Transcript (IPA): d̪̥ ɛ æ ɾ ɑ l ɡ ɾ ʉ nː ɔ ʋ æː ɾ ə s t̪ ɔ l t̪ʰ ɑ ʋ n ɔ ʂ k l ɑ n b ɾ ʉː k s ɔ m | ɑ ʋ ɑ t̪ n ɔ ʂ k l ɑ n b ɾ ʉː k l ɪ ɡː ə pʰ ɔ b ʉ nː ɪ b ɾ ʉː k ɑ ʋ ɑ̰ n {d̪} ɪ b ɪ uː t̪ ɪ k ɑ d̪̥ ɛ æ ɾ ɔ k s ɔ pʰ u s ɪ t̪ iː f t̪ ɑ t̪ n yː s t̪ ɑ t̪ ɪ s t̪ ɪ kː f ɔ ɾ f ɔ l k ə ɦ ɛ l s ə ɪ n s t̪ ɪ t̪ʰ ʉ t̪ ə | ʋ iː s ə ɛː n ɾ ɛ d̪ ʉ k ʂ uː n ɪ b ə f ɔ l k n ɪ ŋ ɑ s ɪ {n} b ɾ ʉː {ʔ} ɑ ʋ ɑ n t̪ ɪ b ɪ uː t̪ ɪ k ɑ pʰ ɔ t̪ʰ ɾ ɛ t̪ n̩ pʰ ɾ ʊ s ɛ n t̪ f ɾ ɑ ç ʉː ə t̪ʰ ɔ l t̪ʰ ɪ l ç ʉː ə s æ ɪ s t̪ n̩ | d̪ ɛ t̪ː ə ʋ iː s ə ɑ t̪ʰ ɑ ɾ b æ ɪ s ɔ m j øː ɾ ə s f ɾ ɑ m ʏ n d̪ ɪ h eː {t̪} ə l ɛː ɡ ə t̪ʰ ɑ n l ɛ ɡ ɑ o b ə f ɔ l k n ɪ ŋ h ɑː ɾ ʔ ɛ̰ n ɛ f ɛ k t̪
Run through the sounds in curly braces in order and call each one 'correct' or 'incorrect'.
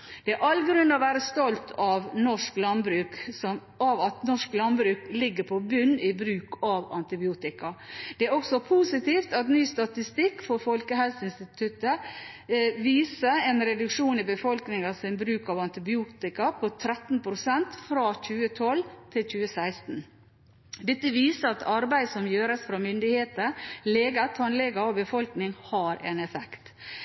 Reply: incorrect: t̪, correct, incorrect: k, correct

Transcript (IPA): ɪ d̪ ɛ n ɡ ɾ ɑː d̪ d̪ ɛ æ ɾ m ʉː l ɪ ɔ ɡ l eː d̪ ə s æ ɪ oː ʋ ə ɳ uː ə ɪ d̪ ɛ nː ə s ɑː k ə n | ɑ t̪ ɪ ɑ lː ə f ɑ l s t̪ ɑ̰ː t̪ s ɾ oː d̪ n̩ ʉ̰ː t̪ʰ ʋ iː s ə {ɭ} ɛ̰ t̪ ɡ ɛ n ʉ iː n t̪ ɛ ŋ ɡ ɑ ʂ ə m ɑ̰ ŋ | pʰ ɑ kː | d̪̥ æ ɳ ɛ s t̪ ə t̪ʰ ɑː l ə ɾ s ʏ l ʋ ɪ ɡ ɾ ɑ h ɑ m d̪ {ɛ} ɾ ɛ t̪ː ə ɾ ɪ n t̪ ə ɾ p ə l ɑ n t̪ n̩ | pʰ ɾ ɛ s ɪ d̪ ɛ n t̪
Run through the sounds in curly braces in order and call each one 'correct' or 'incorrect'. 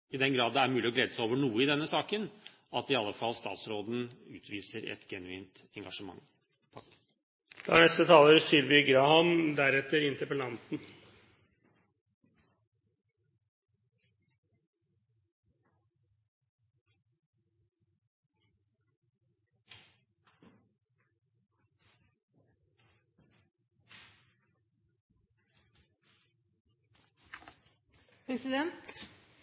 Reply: incorrect: ɾ, incorrect: æ

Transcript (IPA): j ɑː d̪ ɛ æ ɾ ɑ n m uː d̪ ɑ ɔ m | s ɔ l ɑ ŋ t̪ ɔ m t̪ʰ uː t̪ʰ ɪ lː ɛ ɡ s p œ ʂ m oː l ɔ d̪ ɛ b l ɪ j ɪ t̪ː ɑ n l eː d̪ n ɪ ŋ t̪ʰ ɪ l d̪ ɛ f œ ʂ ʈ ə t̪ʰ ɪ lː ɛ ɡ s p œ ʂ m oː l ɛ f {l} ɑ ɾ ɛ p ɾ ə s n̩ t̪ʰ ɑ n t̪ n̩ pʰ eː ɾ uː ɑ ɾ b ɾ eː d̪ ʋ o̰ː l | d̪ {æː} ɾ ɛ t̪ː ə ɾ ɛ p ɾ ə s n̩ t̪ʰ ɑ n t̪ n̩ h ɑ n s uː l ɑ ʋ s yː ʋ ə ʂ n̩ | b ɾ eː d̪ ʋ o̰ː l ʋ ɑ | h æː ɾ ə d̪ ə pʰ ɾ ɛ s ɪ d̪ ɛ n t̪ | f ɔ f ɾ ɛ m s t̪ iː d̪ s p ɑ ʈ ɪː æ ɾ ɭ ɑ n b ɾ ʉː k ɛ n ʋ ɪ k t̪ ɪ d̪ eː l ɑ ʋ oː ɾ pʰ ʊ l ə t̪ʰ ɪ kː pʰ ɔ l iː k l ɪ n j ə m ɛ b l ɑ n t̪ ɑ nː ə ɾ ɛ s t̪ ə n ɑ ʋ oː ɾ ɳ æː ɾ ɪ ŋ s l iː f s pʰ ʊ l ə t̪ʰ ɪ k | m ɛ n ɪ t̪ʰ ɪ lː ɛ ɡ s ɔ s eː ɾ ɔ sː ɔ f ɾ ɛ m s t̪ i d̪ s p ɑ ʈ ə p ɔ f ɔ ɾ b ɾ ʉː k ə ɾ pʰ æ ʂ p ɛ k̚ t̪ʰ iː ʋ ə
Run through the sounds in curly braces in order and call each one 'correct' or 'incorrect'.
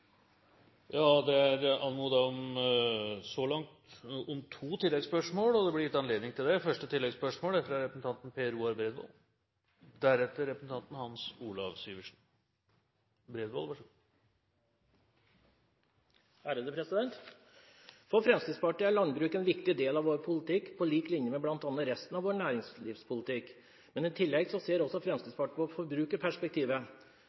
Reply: incorrect: ɾ, incorrect: æ

